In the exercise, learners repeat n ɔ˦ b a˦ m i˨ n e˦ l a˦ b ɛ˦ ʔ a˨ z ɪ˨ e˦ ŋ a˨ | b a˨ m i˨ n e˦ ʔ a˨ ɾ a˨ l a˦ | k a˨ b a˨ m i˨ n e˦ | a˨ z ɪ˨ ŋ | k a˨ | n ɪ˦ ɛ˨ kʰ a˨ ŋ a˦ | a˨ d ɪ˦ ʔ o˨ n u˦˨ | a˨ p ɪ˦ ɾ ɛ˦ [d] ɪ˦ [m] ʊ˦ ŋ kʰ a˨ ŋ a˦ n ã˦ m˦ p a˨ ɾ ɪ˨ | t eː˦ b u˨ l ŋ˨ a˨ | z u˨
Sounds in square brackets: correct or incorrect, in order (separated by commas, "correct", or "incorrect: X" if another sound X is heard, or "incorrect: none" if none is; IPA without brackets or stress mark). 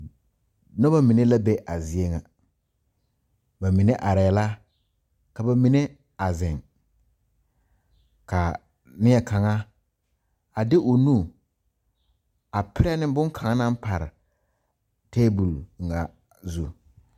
incorrect: n, incorrect: b